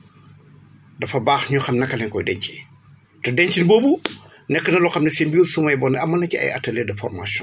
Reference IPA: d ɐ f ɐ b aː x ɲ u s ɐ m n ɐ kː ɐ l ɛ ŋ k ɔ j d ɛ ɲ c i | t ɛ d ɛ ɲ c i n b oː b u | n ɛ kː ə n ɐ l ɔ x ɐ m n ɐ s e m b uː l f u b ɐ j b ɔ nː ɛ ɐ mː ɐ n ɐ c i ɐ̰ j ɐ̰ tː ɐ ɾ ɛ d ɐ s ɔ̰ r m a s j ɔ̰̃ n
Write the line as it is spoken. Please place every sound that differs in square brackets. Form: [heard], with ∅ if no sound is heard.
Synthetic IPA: d ɐ f ɐ b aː x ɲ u [x] ɐ m n ɐ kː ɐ l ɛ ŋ k ɔ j d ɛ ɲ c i | t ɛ d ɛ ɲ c i n b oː b u | n ɛ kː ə n ɐ l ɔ x ɐ m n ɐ s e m b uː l [s] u [m] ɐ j b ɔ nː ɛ ɐ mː ɐ n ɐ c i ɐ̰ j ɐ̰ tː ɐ [l] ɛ d ɐ [f] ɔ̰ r m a s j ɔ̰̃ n